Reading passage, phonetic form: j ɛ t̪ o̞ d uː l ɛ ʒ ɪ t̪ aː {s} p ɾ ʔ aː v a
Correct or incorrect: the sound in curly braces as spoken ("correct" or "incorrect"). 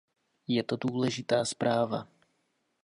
correct